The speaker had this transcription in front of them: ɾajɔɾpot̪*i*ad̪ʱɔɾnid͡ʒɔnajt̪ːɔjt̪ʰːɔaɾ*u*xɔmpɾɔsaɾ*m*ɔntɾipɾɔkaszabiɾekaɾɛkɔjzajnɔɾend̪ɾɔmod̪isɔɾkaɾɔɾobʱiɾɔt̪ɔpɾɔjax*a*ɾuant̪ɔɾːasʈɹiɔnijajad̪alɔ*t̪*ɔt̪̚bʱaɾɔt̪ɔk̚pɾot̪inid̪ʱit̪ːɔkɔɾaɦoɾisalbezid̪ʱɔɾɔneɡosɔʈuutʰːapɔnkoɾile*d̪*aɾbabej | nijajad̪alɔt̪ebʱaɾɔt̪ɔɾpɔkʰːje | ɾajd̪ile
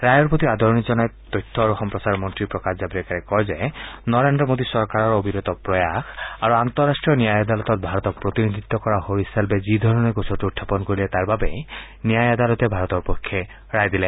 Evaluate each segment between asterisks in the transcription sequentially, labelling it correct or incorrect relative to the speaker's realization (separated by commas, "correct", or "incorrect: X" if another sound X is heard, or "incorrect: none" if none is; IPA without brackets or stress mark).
correct, correct, correct, correct, correct, incorrect: t̪